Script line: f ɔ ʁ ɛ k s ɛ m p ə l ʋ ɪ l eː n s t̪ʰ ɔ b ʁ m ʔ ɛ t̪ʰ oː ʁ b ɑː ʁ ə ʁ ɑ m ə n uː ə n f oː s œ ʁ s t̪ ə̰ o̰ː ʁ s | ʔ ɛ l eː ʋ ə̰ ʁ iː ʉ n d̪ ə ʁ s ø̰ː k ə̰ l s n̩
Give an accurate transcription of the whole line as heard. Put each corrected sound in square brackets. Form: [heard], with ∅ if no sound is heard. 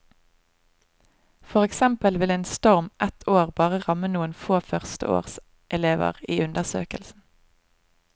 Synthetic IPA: f ɔ ʁ ɛ k s ɛ m p ə l ʋ ɪ l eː n s [t̪] ɔ [∅] ʁ m ʔ ɛ t̪ʰ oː ʁ b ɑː ʁ ə ʁ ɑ m ə n uː ə n f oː [f] œ ʁ s t̪ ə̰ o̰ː ʁ s | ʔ ɛ l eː ʋ ə̰ ʁ iː ʉ n d̪ ə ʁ s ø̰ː k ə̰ l s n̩